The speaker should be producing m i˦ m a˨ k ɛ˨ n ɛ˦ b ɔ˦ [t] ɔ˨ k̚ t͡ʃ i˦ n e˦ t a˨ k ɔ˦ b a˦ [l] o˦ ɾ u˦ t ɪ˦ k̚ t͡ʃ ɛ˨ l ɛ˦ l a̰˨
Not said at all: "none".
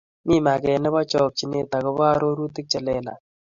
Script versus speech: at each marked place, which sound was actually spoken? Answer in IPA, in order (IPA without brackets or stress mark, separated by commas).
t͡ʃ, ɾ